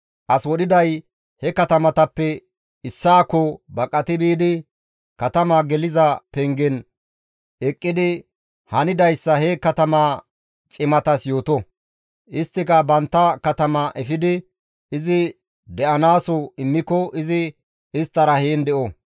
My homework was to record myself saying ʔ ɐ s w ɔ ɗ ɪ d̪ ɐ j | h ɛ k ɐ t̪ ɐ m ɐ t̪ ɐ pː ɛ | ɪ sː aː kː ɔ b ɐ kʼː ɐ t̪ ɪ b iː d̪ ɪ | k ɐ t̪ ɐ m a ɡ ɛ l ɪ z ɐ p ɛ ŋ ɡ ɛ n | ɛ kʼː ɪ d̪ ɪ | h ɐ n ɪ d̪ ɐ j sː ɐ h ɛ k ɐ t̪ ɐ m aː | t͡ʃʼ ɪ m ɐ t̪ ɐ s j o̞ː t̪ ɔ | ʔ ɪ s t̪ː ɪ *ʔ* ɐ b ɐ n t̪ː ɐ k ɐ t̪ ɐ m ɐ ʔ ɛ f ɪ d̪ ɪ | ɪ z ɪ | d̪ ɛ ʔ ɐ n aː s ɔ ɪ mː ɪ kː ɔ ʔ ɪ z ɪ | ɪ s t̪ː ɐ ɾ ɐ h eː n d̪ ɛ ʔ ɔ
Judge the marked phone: incorrect: k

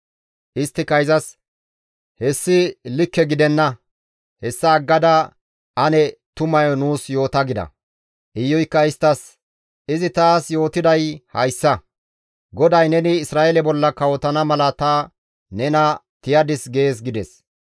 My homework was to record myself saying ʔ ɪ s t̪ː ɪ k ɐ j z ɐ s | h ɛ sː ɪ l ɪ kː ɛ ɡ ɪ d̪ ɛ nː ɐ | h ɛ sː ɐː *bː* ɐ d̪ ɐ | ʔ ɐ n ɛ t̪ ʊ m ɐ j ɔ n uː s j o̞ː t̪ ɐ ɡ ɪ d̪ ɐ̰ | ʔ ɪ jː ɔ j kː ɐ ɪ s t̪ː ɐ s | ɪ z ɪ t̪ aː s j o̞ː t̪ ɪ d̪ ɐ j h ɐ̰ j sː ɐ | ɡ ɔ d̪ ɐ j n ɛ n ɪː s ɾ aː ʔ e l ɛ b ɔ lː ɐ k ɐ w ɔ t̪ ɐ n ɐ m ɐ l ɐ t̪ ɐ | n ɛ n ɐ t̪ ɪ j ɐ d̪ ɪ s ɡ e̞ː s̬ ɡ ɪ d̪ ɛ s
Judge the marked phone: incorrect: ɡː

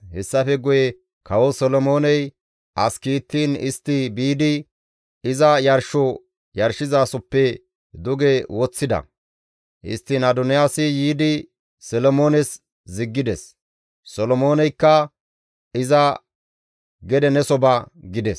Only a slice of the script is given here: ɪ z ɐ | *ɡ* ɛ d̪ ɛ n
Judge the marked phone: correct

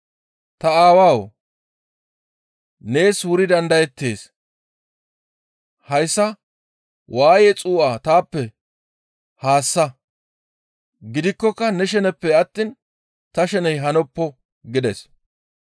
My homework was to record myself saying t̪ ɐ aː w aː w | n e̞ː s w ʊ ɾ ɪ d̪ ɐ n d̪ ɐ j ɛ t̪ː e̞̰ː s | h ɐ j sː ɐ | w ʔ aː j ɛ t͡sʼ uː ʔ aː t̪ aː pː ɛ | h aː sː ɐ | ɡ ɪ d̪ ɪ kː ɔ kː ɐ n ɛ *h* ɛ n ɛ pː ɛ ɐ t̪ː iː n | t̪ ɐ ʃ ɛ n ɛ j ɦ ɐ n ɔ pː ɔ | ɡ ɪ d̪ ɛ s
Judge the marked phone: incorrect: ʃ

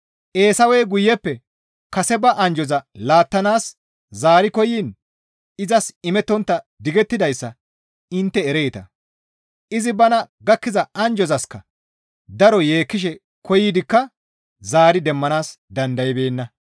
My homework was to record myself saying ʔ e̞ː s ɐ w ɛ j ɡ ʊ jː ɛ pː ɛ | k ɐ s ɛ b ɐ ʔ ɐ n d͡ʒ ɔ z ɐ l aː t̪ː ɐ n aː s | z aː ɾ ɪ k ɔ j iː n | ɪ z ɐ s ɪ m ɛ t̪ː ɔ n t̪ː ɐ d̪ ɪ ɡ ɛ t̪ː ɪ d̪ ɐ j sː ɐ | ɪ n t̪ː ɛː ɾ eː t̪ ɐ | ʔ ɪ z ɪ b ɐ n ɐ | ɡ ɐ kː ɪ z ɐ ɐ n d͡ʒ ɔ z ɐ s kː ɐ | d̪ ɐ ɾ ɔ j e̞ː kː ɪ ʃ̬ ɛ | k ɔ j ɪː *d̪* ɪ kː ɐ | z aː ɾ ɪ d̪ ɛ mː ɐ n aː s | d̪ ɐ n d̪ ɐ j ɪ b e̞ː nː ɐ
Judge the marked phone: correct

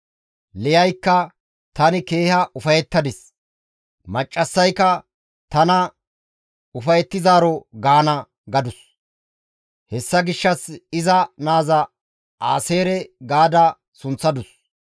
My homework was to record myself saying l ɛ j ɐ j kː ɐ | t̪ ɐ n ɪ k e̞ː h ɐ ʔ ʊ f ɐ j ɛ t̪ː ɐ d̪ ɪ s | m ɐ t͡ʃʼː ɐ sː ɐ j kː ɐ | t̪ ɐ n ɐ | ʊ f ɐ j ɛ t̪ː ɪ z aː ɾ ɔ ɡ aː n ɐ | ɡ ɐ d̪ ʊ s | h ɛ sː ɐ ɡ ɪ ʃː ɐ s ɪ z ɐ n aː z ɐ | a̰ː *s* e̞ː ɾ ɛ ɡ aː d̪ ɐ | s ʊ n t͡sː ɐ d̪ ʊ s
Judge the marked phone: correct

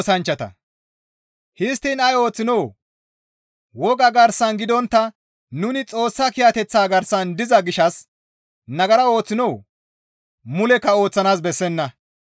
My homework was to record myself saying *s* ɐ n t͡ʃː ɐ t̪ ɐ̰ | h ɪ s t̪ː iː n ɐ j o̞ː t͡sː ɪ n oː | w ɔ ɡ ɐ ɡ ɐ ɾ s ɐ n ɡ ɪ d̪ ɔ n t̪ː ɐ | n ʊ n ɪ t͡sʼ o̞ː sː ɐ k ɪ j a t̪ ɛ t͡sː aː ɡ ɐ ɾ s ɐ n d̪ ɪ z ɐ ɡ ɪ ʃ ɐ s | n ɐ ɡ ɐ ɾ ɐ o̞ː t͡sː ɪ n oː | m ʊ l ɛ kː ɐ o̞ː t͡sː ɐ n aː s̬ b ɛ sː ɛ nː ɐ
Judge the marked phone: correct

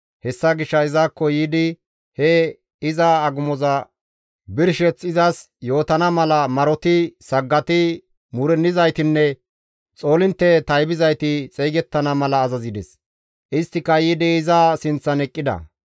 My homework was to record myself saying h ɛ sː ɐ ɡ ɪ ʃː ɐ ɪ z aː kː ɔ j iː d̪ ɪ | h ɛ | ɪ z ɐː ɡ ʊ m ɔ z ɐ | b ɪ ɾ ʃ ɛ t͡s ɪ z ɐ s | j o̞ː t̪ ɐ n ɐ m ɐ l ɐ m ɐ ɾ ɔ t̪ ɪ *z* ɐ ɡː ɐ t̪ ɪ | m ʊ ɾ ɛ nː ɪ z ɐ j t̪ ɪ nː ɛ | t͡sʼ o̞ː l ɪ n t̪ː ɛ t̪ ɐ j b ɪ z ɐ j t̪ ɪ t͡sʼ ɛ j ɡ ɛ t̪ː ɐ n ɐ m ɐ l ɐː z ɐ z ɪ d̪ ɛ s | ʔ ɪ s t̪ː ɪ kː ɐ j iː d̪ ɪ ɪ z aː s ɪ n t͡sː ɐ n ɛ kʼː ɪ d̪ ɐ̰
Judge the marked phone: incorrect: s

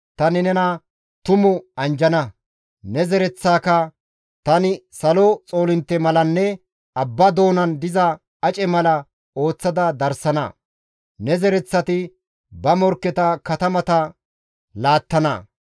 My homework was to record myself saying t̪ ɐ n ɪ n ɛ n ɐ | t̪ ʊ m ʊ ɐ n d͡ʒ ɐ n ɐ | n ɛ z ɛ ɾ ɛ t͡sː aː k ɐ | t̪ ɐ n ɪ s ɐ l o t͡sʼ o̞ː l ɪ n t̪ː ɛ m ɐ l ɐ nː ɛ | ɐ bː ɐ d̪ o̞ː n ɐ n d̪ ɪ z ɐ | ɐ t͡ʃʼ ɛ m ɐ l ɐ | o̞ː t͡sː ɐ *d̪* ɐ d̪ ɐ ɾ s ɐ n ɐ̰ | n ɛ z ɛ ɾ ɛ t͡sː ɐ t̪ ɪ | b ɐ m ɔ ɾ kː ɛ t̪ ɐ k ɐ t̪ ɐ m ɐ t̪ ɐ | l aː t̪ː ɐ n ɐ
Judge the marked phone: correct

